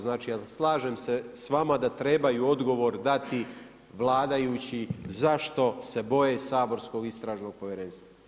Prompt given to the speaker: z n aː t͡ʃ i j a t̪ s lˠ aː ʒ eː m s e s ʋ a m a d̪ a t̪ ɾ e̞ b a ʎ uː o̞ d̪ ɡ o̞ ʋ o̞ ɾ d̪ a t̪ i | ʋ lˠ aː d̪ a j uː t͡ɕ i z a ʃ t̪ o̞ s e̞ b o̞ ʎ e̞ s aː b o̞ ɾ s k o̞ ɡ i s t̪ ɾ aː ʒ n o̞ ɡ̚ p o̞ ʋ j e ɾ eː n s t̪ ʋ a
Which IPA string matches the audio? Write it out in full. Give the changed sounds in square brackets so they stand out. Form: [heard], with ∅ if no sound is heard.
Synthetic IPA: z n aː t͡ʃ i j a [∅] s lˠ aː ʒ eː m s e s ʋ a m a d̪ a t̪ ɾ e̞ b a [j] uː o̞ d̪ ɡ o̞ ʋ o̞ ɾ d̪ a t̪ i | ʋ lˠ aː d̪ a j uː t͡ɕ i z a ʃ t̪ o̞ s e̞ b o̞ [j] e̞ s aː b o̞ ɾ s k o̞ ɡ i s t̪ ɾ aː ʒ n o̞ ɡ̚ p o̞ ʋ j e ɾ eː n s t̪ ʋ a